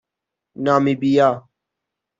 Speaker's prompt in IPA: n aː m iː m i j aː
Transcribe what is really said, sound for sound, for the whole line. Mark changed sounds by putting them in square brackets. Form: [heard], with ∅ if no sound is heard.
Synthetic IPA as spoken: n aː m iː [b] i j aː